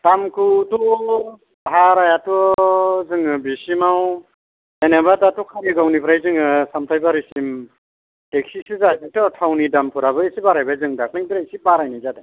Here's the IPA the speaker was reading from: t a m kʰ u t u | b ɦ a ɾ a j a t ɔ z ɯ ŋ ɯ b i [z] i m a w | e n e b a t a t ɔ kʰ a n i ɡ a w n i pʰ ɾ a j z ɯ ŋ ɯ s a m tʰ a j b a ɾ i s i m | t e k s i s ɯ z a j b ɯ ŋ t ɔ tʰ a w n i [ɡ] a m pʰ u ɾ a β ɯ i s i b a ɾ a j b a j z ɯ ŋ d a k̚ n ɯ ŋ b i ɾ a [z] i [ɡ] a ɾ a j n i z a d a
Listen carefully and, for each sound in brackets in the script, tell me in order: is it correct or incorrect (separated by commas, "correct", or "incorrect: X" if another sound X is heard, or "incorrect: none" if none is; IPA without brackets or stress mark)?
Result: incorrect: s, incorrect: d, incorrect: s, incorrect: b